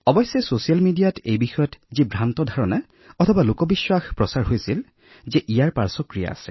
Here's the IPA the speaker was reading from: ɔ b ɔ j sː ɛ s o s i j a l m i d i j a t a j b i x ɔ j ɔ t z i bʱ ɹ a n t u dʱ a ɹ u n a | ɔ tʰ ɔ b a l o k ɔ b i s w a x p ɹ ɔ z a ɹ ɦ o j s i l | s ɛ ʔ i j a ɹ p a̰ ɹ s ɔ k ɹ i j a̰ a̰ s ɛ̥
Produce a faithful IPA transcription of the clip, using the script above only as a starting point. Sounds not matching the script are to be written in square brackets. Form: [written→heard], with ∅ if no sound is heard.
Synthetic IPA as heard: ɔ b ɔ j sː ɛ s o s i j a l m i d i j a t [a→e] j b i x ɔ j ɔ t z i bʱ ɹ a n t [u→ɔ] dʱ a ɹ [u→ɔ] n a | ɔ tʰ ɔ b a l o k ɔ b i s w a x p ɹ ɔ [z→s] a ɹ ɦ o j s i l | [s→z] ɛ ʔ i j a ɹ p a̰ ɹ s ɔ k ɹ i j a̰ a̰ s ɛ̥